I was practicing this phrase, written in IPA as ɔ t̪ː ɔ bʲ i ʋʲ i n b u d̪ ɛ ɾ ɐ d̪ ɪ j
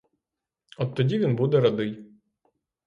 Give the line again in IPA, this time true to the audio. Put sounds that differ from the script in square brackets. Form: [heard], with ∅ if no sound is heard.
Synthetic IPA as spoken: ɔ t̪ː ɔ [dʲ] i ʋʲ i n b u d̪ ɛ ɾ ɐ d̪ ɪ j